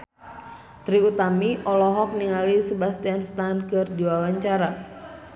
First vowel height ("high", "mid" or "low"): high